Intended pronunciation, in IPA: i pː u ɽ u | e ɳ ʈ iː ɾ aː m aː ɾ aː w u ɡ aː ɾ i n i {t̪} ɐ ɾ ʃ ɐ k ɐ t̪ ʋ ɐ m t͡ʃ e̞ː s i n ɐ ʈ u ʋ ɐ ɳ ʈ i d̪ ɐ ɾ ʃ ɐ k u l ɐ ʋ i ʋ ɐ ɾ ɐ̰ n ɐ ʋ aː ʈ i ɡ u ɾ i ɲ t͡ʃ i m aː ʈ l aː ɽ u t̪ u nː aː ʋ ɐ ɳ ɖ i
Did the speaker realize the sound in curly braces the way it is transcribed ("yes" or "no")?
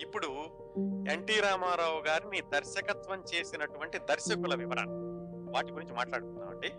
no